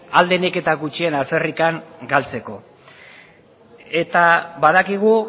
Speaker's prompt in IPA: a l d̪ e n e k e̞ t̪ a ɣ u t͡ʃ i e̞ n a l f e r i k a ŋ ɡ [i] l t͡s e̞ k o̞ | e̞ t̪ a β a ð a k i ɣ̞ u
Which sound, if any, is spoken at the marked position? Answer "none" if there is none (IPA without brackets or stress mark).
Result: a